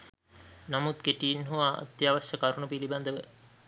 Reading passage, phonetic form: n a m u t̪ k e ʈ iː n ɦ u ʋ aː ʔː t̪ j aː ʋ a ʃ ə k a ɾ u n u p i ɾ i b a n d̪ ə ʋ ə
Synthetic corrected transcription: n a m u t̪ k e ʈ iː n ɦ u ʋ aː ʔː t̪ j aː ʋ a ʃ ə k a ɾ u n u p i l i b a n d̪ ə ʋ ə